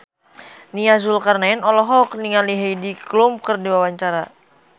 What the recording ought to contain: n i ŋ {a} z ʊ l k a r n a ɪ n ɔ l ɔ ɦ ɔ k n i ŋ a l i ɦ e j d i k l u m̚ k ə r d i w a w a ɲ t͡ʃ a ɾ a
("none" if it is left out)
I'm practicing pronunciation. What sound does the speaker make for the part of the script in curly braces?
a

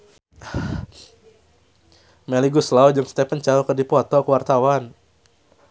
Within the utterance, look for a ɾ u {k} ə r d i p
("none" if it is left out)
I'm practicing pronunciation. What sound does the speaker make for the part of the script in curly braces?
k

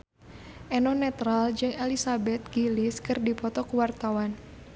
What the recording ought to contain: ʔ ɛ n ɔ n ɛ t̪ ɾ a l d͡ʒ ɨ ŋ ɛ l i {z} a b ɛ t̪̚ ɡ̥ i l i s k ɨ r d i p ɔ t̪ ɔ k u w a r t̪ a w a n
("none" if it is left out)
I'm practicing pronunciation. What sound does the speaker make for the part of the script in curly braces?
s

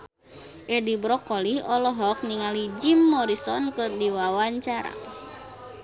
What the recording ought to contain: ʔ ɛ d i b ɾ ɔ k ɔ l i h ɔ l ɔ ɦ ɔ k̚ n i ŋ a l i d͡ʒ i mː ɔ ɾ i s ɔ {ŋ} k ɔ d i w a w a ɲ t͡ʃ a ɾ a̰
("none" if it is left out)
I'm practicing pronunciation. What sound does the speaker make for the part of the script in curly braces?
n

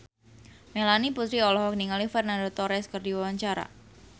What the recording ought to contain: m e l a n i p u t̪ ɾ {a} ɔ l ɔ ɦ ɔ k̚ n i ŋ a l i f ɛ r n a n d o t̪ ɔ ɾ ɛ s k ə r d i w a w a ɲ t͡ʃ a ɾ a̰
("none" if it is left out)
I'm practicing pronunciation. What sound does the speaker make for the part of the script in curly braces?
i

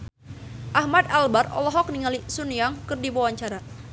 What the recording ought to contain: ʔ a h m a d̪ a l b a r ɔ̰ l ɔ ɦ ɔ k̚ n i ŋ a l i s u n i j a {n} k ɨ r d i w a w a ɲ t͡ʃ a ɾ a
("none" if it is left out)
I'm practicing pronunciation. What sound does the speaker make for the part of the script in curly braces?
ŋ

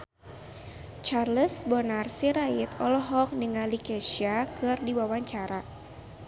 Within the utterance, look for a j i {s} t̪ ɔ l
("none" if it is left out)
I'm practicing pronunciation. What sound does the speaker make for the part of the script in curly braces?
none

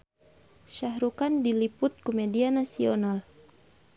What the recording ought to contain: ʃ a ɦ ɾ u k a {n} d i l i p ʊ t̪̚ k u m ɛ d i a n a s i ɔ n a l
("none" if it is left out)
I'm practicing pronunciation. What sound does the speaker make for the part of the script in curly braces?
n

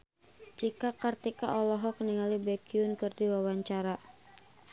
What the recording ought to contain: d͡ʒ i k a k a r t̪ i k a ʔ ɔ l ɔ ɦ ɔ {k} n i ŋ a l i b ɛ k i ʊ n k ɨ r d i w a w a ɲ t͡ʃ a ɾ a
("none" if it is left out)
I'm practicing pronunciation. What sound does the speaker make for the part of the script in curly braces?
k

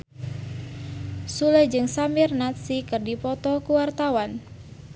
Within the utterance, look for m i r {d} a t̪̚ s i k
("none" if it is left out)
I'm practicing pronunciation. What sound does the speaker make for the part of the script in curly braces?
n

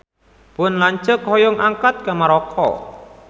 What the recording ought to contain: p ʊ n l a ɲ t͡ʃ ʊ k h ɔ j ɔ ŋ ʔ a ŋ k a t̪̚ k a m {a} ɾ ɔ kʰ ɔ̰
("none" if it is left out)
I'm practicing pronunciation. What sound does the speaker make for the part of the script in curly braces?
a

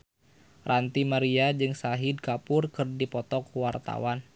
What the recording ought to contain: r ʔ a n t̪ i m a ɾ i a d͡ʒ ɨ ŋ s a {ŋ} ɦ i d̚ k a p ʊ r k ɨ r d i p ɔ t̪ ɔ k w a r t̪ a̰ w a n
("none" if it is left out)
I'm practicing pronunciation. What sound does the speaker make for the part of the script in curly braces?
none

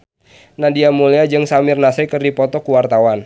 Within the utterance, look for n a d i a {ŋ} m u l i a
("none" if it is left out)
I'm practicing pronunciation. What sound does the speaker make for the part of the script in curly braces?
none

